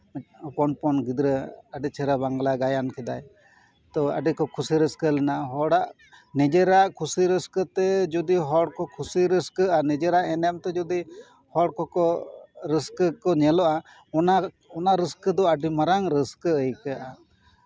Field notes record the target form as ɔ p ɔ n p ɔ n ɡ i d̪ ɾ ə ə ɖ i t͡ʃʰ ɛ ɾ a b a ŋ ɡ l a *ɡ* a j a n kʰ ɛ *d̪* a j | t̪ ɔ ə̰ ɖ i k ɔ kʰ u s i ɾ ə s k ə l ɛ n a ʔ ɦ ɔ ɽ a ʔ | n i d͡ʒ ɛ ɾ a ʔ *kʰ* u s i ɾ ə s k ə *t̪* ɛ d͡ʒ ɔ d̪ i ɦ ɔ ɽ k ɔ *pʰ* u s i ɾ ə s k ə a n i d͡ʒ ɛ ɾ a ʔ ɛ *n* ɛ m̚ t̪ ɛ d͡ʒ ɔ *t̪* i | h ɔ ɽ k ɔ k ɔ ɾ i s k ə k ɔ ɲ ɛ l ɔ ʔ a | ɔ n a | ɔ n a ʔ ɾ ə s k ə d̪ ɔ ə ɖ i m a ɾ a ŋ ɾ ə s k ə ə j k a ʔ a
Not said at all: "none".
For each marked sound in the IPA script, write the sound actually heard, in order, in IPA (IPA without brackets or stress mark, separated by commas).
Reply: ɡ, d̪, kʰ, t̪, kʰ, n, d̪